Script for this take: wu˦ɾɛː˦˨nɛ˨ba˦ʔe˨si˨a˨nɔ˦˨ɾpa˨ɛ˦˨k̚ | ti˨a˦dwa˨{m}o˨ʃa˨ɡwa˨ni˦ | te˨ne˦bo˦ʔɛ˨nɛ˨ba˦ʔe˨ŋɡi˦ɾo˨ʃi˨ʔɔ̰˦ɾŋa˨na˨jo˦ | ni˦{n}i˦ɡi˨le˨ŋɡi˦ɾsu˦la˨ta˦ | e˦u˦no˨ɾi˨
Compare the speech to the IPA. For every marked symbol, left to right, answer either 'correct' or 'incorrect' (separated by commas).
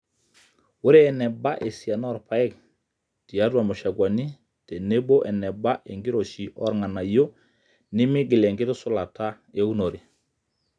correct, incorrect